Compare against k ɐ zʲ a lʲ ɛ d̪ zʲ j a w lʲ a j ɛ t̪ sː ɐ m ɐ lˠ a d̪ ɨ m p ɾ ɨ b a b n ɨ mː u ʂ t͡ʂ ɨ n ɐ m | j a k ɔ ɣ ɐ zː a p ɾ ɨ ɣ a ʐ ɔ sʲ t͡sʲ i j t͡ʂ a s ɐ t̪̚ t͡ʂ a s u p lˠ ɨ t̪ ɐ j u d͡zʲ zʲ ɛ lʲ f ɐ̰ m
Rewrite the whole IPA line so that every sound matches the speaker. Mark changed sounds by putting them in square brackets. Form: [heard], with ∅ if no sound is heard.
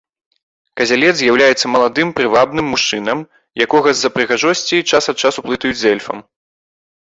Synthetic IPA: k ɐ zʲ a lʲ ɛ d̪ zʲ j a w lʲ a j ɛ t̪ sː ɐ m ɐ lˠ a d̪ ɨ m p ɾ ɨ [v] a b n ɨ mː u ʂ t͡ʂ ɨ n ɐ m | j a k ɔ ɣ ɐ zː [ɐ] p ɾ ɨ ɣ a ʐ ɔ sʲ t͡sʲ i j t͡ʂ a s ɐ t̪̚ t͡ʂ a s u p lˠ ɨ t̪ ɐ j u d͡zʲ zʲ ɛ lʲ f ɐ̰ m